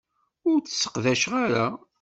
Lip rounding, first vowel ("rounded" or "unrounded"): rounded